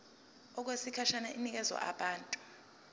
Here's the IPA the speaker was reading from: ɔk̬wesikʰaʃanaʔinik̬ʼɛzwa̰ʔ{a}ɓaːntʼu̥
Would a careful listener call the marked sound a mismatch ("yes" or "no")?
no